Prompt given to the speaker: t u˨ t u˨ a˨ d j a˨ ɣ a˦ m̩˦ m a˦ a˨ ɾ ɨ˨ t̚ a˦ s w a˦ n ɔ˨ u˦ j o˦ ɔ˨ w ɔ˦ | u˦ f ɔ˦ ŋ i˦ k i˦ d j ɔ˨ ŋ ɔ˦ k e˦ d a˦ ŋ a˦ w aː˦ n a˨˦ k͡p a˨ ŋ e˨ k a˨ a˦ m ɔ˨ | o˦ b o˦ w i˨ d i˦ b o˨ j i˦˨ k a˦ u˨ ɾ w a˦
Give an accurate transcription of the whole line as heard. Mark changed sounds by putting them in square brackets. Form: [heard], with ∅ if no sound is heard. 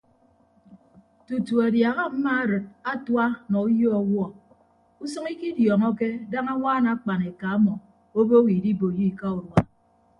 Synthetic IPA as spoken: t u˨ t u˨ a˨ d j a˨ ɣ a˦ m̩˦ m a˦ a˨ ɾ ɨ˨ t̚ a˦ [t] w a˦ n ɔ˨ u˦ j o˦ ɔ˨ w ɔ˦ | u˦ [s] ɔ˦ ŋ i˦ k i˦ d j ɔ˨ ŋ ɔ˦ k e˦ d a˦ ŋ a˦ w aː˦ n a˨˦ k͡p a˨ [n] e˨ k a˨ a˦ m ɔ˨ | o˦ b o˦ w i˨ d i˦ b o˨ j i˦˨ k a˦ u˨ ɾ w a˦